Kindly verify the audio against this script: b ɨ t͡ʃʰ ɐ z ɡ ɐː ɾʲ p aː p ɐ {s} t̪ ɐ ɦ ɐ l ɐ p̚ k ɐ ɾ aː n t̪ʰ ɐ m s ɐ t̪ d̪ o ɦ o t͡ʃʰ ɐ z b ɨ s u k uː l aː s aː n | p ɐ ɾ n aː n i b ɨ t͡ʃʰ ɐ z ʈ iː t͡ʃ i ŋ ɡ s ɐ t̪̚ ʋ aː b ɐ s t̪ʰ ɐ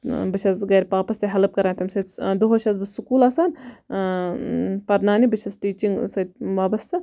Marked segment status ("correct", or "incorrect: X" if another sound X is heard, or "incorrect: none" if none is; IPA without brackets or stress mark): correct